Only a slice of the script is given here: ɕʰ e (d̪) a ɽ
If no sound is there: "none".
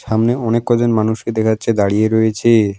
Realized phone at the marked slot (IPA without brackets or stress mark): d̪